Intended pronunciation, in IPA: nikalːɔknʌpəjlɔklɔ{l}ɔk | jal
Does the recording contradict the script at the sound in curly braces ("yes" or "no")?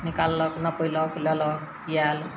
no